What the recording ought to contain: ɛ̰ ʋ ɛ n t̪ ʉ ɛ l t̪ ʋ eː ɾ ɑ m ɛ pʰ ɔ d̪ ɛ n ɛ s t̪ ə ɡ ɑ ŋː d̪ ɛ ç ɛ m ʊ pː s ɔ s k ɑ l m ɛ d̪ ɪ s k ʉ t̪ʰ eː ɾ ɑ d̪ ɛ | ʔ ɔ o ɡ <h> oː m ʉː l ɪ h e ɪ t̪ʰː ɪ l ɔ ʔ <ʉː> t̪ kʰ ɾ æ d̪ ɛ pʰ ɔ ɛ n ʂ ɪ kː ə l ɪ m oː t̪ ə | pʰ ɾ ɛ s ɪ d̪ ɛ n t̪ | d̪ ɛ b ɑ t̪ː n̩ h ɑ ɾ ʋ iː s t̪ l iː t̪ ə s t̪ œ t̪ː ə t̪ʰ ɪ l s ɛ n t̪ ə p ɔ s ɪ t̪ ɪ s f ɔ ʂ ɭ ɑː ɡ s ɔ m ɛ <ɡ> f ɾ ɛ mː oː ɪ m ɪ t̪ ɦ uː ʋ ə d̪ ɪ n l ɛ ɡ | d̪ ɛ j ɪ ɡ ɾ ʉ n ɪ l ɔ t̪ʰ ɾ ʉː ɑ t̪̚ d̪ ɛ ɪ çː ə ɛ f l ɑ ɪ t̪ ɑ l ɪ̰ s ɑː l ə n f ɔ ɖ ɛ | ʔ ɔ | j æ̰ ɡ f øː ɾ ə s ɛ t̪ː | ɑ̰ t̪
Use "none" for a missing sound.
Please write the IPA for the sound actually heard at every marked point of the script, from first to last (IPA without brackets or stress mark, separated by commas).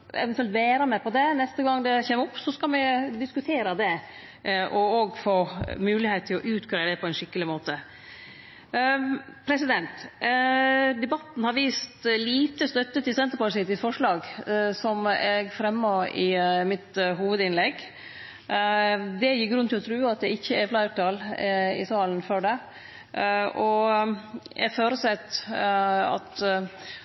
f, ʉː, ɡ